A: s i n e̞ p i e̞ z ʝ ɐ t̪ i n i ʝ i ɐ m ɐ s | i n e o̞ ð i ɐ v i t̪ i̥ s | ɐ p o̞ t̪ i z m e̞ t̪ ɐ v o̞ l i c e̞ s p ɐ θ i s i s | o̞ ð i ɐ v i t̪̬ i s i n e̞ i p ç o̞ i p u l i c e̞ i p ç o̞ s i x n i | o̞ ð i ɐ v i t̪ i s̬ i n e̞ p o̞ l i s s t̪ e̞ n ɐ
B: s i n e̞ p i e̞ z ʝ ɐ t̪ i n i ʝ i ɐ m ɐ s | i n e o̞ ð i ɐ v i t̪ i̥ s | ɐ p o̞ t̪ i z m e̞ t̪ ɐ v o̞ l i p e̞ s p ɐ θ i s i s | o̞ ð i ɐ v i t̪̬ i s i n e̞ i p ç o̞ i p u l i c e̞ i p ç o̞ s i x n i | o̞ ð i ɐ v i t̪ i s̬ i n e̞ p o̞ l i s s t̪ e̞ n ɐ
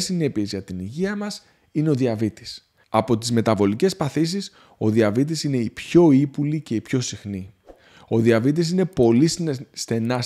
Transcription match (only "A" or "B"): A